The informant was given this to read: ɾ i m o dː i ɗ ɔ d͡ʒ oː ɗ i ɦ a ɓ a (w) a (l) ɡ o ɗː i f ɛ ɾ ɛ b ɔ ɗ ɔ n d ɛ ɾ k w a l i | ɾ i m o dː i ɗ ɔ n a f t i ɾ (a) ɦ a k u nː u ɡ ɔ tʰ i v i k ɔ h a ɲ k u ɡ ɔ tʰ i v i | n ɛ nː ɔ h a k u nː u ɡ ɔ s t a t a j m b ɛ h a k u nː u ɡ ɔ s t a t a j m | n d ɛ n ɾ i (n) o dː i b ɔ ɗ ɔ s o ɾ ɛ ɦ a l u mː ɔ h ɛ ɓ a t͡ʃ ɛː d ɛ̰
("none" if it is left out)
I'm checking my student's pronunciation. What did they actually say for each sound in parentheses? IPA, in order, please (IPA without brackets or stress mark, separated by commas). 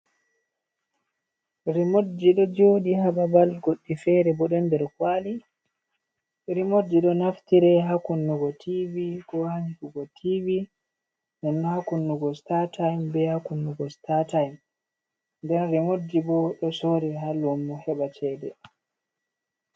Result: b, l, ɛ, m